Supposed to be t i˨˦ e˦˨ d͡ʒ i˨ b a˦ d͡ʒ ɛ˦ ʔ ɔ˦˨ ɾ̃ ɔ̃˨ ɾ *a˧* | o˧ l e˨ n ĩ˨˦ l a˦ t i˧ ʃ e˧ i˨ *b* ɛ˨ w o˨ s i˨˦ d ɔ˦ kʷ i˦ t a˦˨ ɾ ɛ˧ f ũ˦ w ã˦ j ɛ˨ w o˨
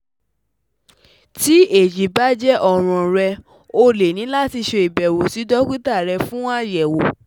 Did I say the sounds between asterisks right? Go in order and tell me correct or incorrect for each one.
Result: incorrect, correct

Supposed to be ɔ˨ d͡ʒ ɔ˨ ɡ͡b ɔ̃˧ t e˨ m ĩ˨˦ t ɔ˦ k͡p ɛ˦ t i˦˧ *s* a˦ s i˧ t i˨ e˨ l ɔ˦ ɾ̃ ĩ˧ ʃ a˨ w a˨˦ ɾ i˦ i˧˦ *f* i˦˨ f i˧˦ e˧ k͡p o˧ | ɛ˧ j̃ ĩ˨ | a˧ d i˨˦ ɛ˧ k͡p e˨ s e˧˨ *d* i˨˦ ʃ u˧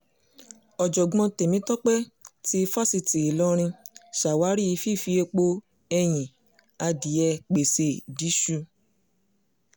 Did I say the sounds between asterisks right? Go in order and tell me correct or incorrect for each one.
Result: incorrect, correct, correct

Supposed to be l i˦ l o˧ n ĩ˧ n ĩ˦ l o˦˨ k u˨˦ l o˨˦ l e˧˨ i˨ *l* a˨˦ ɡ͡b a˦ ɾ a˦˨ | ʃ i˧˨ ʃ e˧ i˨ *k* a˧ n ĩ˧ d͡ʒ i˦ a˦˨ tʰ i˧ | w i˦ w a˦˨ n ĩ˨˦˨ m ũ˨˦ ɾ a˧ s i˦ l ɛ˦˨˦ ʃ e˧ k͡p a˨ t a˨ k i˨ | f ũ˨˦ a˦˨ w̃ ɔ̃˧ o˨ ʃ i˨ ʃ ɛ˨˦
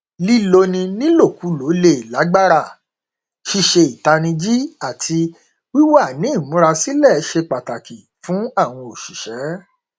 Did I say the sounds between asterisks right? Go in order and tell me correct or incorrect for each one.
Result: correct, incorrect

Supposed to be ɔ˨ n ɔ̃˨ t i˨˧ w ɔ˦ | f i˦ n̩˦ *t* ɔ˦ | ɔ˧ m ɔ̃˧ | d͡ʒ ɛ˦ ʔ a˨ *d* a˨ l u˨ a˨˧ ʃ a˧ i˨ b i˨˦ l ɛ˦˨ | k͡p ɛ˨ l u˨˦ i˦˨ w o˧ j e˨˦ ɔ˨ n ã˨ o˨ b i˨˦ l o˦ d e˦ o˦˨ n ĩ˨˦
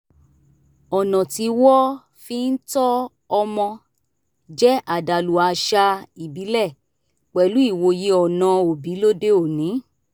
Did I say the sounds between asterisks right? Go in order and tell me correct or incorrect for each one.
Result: correct, correct

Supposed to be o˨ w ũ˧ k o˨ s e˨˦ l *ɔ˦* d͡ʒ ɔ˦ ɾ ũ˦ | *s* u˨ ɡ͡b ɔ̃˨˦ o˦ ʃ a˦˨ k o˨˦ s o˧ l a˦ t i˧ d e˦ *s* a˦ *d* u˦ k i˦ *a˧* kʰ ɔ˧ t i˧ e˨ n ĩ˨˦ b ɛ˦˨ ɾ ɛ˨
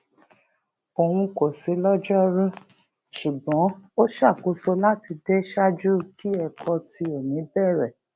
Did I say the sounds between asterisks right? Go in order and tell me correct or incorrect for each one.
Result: correct, incorrect, incorrect, incorrect, incorrect

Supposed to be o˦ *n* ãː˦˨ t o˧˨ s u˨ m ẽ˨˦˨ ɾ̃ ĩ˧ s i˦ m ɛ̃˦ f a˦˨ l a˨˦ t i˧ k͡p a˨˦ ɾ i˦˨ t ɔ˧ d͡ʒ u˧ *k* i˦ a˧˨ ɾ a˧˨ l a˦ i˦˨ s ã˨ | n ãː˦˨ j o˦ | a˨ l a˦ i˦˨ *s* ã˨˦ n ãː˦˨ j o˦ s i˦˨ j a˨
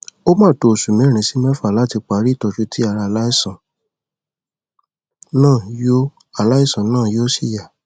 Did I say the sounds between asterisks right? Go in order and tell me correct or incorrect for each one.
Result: incorrect, incorrect, correct

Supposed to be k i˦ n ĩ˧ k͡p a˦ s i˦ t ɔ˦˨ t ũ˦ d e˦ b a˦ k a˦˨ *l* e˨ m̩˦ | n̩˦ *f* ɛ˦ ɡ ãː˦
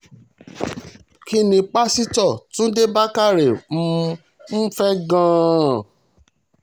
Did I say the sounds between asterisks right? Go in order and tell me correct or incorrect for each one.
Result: incorrect, correct

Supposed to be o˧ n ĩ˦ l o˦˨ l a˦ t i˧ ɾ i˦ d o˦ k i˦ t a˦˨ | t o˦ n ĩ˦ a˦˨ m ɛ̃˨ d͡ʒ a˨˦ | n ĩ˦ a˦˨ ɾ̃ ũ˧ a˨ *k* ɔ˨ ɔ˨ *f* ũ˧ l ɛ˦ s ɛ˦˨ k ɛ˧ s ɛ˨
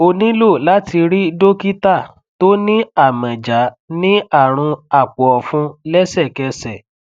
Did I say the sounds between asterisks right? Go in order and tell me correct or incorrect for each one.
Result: incorrect, correct

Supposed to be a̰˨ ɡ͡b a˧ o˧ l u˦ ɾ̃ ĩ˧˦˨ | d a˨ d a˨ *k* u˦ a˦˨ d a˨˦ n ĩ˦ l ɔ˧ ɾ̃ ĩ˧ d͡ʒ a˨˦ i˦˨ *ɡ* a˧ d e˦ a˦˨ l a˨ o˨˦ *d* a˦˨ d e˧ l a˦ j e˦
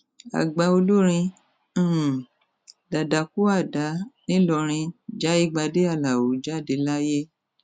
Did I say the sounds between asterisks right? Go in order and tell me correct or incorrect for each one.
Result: correct, incorrect, incorrect

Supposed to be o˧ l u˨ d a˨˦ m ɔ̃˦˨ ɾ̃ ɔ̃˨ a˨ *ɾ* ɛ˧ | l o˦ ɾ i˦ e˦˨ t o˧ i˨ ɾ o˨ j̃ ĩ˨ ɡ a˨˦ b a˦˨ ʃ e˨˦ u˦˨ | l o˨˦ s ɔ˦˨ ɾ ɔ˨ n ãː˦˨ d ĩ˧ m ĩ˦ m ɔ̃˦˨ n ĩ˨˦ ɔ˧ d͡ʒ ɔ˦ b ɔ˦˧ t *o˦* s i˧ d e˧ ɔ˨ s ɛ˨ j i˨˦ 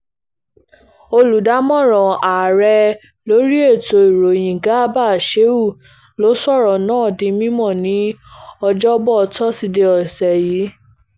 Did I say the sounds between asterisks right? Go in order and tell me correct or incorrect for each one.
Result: correct, incorrect

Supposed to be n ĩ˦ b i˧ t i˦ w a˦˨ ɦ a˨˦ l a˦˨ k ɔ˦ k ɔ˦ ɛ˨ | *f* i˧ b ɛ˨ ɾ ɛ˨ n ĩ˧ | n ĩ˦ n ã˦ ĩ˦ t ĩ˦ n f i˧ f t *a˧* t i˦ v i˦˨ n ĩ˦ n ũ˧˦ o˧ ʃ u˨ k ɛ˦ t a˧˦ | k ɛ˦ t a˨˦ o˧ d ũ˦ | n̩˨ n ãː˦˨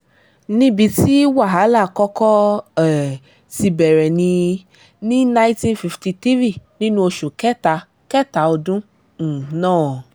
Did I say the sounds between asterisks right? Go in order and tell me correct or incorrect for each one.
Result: incorrect, incorrect

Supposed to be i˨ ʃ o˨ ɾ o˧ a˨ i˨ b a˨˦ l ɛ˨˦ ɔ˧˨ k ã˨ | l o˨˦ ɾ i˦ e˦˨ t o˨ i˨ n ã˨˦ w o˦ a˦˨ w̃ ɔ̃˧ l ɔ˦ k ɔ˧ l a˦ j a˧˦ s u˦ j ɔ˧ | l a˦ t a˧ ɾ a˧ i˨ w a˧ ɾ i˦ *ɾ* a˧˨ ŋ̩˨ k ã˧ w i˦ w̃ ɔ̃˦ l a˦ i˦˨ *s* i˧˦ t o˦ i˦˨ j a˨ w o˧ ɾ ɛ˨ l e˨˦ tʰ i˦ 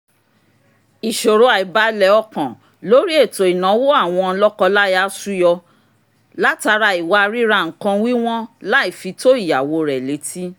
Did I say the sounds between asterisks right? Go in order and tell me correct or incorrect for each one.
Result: correct, incorrect

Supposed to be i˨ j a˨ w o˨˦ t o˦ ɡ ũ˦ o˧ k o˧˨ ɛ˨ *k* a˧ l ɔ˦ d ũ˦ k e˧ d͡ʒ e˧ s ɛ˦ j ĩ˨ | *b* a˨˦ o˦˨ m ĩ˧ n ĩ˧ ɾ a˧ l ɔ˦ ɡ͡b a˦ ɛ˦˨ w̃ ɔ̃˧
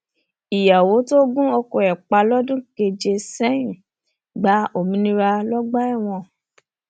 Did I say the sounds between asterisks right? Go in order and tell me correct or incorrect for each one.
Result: incorrect, incorrect

